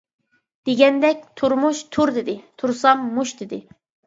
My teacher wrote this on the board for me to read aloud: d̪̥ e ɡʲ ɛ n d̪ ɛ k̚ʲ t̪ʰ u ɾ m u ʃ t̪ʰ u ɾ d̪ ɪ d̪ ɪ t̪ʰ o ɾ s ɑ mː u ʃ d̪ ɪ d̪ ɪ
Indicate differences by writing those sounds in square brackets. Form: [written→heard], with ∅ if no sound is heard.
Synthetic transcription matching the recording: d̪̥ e ɡʲ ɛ n d̪ ɛ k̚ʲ t̪ʰ u ɾ m u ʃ t̪ʰ u ɾ d̪ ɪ d̪ ɪ t̪ʰ [o→u] ɾ s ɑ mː u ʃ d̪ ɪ d̪ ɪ